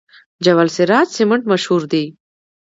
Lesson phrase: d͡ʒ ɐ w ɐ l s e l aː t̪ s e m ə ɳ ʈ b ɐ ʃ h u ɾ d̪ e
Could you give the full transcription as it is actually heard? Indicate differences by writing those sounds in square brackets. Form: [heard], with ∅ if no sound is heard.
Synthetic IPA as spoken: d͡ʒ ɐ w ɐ l s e [ɾ] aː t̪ s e m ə ɳ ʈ [m] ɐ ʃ h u ɾ d̪ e